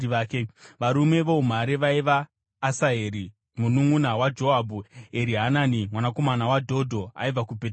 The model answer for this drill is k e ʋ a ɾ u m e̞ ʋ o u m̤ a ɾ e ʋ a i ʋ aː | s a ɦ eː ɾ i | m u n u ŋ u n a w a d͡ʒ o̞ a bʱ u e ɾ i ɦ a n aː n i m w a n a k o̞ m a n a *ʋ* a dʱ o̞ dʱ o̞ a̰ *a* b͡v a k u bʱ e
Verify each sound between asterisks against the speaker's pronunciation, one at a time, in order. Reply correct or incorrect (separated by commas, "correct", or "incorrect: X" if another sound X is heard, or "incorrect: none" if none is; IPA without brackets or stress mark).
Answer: incorrect: w, incorrect: i